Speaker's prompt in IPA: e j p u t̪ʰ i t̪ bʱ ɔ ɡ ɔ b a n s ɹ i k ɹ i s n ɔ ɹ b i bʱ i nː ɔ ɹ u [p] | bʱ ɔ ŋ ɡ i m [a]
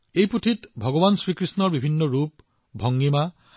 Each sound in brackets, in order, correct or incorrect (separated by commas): correct, correct